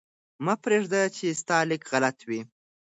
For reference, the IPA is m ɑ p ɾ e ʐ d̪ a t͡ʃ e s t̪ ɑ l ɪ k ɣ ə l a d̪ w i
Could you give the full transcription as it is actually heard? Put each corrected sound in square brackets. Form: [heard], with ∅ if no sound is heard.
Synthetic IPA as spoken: m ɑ p ɾ e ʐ d̪ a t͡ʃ e s t̪ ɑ l ɪ k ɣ [a] l a [t̪] w i